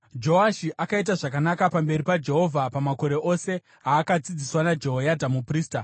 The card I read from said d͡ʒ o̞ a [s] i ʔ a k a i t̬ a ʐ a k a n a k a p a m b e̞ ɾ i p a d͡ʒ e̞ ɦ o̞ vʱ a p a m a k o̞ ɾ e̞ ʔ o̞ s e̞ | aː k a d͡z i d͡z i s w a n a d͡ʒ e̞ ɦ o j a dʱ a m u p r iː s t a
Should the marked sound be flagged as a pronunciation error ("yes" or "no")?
yes